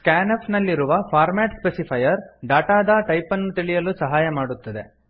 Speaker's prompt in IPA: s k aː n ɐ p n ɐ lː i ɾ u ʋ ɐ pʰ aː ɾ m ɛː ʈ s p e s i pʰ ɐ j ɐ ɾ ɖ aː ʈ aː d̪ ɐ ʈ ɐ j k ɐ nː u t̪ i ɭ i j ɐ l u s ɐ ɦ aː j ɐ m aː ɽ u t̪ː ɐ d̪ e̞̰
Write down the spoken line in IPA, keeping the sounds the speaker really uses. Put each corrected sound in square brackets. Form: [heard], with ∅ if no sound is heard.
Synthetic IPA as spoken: s k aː n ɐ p n ɐ lː i ɾ u ʋ ɐ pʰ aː ɾ m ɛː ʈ s p e s i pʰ ɐ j ɐ ɾ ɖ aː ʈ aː d̪ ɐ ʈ ɐ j [p] ɐ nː u t̪ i ɭ i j ɐ l u s ɐ ɦ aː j ɐ m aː ɽ u t̪ː ɐ d̪ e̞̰